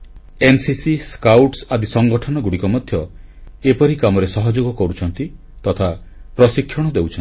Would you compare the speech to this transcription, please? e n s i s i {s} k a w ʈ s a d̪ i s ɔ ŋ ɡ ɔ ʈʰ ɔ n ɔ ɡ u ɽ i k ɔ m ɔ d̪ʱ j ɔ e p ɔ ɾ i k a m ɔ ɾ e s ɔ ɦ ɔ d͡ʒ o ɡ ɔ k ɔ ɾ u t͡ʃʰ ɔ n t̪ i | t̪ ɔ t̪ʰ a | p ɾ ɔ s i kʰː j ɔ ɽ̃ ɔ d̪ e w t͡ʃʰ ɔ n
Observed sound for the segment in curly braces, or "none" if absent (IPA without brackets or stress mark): s